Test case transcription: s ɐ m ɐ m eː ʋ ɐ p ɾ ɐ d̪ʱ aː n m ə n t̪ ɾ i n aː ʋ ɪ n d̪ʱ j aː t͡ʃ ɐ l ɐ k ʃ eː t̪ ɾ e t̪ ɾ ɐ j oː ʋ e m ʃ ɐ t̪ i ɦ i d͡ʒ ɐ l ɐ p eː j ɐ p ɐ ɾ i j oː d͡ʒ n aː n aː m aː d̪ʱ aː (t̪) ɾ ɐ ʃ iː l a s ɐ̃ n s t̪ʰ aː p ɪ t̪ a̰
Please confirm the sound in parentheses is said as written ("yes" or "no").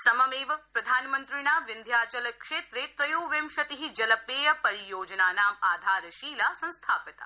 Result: no